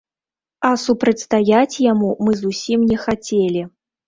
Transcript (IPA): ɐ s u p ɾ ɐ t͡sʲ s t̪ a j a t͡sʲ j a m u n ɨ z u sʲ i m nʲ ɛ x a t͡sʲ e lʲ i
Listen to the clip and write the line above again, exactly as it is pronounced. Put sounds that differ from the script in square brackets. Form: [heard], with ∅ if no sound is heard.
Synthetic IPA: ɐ s u p ɾ ɐ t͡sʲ s t̪ a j a t͡sʲ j a m u [m] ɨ z u sʲ i m nʲ ɛ x a t͡sʲ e lʲ i